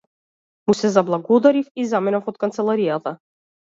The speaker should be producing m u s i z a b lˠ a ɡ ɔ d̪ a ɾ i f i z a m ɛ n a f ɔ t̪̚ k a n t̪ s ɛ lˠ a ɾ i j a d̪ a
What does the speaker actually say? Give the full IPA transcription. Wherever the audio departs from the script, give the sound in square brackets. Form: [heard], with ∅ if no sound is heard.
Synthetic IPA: m u s [ɛ] z a b lˠ a ɡ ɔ d̪ a ɾ i f i z a m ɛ n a f ɔ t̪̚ k a n t̪ s ɛ lˠ a ɾ i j a [t̪] a